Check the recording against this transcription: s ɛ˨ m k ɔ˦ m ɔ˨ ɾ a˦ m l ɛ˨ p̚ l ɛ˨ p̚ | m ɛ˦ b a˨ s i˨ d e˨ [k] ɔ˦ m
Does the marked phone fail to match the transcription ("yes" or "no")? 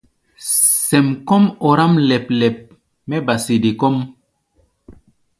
no